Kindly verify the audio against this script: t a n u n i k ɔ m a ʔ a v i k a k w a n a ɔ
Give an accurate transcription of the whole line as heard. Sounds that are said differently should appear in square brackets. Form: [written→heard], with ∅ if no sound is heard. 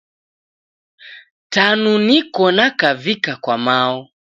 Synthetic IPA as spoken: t a n u n i k ɔ [m→n] a [ʔ→k] a v i k a k w a [n→m] a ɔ